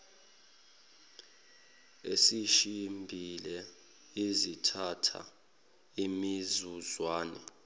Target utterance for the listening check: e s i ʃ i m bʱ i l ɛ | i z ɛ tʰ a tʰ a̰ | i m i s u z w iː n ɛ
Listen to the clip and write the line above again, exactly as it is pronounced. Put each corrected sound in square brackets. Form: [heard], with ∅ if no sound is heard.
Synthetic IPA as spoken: e s i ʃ i m bʱ i l ɛ | i z [i] tʰ a tʰ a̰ | i m i [z] u z w [aː] n ɛ